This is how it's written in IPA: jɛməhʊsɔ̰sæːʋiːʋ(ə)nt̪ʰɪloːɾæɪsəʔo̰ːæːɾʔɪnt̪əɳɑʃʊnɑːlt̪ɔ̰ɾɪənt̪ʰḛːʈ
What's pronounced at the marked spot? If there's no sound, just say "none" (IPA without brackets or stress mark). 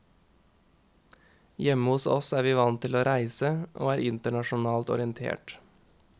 ɑ